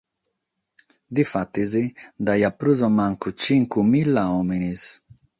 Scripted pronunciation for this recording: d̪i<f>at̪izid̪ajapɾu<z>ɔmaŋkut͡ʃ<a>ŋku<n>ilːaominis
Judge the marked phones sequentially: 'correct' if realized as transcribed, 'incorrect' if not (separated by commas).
correct, correct, incorrect, incorrect